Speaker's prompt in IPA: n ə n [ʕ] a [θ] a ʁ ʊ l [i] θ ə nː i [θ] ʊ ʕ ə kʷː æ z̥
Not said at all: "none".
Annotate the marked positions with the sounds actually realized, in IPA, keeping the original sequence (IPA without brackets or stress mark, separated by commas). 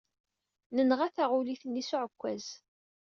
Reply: ʁ, θ, i, s